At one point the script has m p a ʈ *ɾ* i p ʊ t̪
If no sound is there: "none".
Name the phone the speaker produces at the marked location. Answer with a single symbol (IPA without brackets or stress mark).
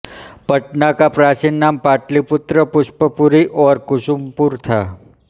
l